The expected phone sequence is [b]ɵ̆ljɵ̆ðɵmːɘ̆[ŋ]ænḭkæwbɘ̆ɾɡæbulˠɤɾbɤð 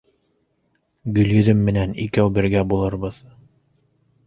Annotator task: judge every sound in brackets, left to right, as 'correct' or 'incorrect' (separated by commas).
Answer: incorrect, incorrect